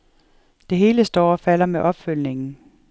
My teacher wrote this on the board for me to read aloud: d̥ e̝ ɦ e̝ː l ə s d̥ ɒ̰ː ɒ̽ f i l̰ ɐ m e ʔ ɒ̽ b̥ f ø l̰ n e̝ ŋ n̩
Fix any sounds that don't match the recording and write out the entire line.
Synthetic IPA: d̥ e̝ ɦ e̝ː l ə s d̥ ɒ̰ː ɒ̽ f æ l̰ ɐ m e ʔ ɒ̽ b̥ f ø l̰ n e̝ ŋ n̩